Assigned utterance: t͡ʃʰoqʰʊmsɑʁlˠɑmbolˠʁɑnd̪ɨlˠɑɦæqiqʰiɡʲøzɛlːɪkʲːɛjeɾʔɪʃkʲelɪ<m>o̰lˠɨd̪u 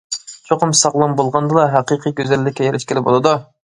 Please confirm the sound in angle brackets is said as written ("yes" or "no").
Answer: no